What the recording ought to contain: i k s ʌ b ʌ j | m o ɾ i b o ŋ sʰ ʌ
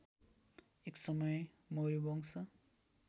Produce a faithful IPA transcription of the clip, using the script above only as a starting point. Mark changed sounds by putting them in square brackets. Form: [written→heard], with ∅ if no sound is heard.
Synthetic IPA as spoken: [i→e] k s ʌ [b→m] ʌ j | m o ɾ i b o ŋ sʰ ʌ